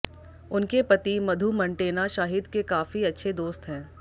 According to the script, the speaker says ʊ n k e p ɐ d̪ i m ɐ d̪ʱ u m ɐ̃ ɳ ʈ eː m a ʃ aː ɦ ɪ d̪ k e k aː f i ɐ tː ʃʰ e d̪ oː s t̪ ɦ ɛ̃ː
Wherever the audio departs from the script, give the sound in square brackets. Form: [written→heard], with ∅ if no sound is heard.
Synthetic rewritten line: ʊ n k e p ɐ [d̪→t̪] i m ɐ d̪ʱ u m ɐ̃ ɳ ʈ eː [m→n] a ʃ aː ɦ ɪ d̪ k e k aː f i ɐ tː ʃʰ e d̪ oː s t̪ ɦ ɛ̃ː

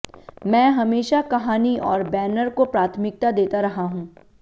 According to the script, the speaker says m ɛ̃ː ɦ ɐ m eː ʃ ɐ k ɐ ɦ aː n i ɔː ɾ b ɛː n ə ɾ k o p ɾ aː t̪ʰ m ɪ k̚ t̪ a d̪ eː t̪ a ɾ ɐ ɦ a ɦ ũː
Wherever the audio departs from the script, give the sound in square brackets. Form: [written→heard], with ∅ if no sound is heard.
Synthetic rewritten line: m ɛ̃ː ɦ ɐ m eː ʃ [ɐ→a] k ɐ ɦ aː n i ɔː ɾ b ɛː n ə ɾ k o p ɾ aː t̪ʰ m ɪ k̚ t̪ a d̪ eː t̪ a ɾ ɐ ɦ a ɦ ũː

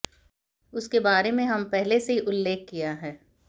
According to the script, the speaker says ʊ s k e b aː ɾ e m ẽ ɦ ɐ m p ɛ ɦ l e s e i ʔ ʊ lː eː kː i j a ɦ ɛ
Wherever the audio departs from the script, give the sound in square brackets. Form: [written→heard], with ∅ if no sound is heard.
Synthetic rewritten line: ʊ s k e b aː ɾ e m ẽ ɦ ɐ m p ɛ ɦ l e s e i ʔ ʊ lː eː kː i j a ɦ [ɛ→ɛː]

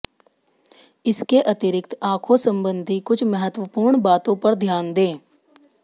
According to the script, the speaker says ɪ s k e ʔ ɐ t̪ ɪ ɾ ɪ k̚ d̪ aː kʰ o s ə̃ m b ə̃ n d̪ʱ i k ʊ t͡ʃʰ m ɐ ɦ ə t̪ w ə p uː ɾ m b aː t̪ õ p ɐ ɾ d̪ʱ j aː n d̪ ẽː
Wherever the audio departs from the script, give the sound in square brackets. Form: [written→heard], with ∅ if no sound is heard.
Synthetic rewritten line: ɪ s k e ʔ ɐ t̪ ɪ ɾ ɪ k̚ [d̪→t̪] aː kʰ o s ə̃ m b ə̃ n d̪ʱ i k ʊ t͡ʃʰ m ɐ ɦ ə t̪ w ə p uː ɾ [m→ɳ] b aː t̪ õ p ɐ ɾ d̪ʱ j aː n d̪ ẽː

